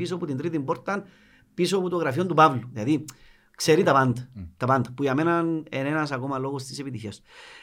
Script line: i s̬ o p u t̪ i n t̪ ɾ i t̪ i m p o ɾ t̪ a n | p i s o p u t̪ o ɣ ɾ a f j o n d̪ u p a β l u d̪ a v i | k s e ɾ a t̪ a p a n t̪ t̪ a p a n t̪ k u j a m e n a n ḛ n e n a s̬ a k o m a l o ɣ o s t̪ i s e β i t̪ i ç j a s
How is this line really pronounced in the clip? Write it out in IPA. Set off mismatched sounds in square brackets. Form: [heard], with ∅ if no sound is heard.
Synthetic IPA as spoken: i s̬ o p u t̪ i n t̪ ɾ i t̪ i m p o ɾ t̪ a n | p i s o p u t̪ o ɣ ɾ a f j o n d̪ u p a β l u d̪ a [ð] i | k s e ɾ [i] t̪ a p a n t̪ t̪ a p a n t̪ [p] u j a m e n a n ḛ n e n a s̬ a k o m a l o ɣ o s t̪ i s e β i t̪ i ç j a s